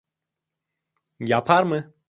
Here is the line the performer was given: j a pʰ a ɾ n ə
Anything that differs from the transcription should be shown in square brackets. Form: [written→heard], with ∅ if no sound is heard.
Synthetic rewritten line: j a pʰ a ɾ [n→m] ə

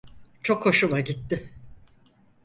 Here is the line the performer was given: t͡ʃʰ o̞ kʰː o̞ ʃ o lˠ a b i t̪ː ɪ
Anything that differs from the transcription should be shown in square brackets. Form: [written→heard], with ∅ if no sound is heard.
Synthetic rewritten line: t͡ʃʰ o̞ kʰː o̞ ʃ [o→u] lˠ a [b→ɟ] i t̪ː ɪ

